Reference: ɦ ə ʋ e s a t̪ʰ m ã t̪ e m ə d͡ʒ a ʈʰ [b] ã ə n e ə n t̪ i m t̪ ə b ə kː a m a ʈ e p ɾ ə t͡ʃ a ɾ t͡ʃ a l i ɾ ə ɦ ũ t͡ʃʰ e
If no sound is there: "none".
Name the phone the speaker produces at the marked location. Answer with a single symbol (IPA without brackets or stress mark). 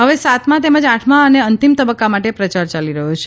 m